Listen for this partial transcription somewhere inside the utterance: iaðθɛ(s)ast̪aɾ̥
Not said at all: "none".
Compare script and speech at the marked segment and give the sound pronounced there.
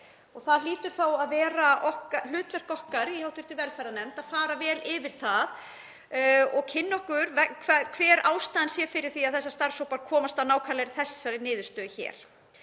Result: sː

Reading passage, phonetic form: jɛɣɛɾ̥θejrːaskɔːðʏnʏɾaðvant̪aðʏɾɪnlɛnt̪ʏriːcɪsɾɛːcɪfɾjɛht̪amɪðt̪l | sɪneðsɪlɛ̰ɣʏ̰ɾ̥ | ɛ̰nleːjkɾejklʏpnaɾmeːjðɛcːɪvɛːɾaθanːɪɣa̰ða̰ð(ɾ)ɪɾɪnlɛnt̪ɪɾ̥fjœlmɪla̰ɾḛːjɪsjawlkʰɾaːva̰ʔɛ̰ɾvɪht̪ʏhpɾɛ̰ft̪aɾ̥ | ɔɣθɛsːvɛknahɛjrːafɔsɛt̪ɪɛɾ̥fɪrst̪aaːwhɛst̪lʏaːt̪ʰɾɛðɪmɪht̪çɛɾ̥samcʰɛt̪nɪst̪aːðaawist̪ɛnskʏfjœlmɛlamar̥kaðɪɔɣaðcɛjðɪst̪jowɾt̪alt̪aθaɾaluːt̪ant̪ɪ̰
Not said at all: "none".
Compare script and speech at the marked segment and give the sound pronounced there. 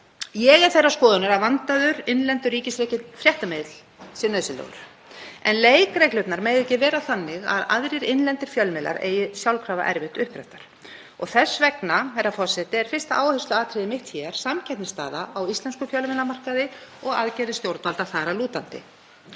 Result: ɾ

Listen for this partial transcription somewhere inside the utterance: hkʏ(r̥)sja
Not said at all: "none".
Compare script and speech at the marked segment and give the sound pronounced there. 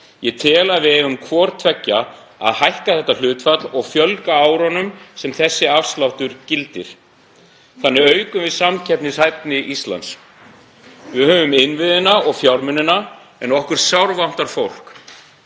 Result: ɾ̥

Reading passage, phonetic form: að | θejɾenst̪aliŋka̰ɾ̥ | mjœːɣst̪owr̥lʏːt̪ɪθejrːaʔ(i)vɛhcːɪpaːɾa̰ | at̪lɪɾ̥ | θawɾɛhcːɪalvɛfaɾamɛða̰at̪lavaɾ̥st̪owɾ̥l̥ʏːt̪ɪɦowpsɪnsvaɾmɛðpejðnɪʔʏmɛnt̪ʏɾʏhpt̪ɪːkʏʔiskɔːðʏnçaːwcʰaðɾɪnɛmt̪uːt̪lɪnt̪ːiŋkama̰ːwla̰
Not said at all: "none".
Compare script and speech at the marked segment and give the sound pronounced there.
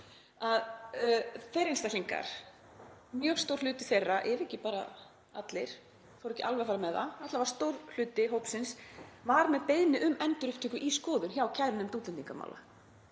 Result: ɛ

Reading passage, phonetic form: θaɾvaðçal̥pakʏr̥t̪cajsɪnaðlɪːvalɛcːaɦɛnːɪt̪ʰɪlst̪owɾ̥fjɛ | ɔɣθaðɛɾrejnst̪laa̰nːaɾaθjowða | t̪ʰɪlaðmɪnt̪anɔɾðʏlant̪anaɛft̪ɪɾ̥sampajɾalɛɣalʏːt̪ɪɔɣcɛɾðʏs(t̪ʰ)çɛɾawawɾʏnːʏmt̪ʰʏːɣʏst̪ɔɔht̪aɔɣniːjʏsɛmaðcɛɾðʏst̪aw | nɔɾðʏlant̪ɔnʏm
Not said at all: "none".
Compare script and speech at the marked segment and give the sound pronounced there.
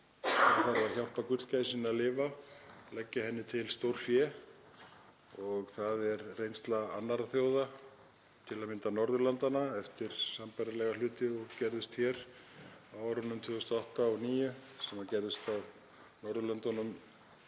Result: t̪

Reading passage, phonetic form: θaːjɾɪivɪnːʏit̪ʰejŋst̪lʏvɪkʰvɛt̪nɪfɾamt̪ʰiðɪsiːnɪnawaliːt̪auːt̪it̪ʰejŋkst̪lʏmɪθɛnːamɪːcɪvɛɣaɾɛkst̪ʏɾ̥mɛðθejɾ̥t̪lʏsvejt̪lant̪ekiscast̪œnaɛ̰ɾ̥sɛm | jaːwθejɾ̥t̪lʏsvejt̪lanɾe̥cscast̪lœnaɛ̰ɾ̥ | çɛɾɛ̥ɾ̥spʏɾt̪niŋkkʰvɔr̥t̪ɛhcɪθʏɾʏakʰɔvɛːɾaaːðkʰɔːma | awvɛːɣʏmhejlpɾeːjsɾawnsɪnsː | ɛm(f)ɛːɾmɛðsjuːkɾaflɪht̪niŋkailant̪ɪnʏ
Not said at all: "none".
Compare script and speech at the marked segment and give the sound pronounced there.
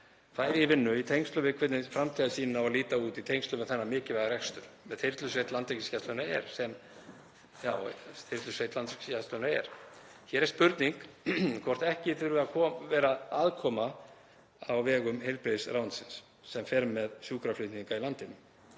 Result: f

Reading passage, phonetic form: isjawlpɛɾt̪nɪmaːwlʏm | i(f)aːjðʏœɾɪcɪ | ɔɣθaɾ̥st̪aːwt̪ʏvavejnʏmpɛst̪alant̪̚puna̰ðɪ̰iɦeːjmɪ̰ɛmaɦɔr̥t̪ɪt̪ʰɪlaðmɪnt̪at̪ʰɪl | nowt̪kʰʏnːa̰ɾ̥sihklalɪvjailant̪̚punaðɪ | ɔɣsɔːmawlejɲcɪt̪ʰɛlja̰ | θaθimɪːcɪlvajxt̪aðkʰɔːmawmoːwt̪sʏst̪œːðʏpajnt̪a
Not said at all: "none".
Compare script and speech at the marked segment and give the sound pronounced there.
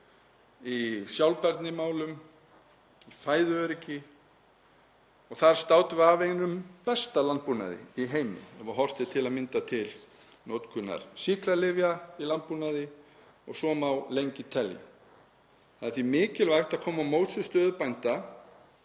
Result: f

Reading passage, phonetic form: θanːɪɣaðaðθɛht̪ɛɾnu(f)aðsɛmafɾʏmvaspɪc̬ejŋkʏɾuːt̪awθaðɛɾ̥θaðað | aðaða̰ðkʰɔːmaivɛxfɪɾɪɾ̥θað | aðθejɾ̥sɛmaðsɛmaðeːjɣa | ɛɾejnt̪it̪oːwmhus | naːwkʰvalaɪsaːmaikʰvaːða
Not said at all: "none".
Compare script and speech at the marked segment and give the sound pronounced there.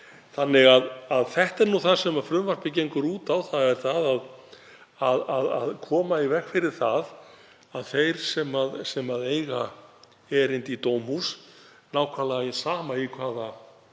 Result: θ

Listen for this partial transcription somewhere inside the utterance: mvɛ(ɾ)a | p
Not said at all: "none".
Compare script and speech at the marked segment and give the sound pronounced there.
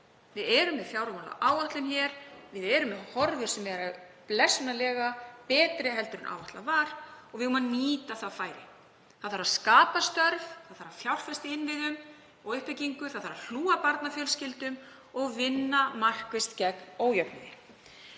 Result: ɾ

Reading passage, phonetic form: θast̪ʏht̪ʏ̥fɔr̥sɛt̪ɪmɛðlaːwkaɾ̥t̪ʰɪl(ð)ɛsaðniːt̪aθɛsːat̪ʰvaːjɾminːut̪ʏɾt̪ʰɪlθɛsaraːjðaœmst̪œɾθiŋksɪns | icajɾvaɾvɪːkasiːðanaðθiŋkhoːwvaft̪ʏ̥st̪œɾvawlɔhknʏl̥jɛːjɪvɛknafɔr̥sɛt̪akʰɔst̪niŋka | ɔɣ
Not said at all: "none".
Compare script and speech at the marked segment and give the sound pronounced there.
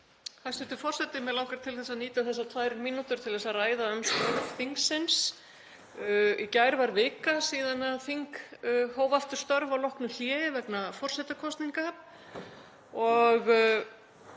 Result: θ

